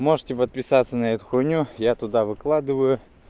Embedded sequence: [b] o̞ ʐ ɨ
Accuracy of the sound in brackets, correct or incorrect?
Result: incorrect: m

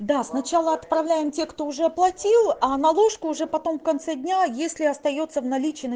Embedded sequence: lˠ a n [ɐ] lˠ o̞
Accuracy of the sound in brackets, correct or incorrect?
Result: correct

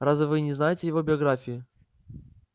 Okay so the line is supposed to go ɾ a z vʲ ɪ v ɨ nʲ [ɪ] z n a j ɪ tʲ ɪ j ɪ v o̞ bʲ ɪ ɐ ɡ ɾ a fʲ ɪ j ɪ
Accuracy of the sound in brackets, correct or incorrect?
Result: correct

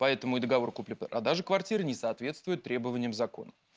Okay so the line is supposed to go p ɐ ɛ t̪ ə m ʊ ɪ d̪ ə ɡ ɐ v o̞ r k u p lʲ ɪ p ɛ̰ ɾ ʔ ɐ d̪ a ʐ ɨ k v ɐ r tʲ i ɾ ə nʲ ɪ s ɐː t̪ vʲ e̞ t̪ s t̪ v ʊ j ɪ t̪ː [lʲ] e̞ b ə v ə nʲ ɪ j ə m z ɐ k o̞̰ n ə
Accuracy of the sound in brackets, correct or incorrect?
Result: incorrect: ɾʲ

